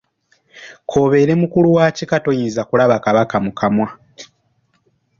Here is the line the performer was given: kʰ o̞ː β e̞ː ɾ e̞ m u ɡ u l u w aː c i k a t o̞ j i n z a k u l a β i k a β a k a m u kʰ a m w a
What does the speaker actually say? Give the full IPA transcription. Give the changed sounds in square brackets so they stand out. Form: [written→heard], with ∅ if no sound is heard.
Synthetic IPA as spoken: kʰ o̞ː β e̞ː ɾ e̞ m u [ɡ→k] u l u w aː c i k a t o̞ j i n z a k u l a β [i→a] k a β a k a m u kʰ a m w a